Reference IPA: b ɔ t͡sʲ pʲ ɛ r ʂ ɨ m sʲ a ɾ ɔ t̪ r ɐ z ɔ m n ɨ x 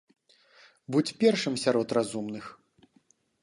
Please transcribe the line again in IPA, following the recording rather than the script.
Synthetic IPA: b u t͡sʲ pʲ ɛ r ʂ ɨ m sʲ a ɾ ɔ t̪ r a z u m n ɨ x